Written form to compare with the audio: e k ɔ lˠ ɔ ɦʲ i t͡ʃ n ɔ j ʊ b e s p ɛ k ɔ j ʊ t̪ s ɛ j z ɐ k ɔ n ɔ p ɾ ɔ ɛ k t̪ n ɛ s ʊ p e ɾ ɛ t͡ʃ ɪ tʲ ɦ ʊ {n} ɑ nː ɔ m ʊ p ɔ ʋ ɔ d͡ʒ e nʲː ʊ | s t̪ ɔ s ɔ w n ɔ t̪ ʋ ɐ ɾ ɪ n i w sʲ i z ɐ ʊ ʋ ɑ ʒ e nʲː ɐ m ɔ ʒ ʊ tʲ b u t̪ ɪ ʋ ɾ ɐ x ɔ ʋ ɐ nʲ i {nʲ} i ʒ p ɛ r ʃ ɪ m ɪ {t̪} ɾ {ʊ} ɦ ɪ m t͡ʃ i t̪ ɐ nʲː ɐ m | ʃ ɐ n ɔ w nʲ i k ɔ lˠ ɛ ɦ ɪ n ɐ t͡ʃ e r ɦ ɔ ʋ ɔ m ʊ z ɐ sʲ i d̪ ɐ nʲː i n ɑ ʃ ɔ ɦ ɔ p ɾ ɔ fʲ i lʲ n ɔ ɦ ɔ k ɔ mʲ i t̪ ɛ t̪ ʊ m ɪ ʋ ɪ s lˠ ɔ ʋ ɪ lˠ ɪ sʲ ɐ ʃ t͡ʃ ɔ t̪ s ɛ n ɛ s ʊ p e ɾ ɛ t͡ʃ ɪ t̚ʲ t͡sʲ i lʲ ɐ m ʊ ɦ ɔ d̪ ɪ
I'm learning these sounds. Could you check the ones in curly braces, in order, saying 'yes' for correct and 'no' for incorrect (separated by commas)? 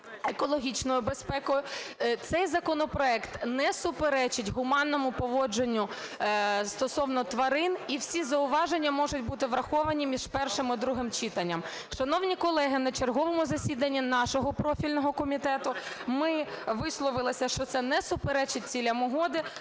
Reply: no, no, no, no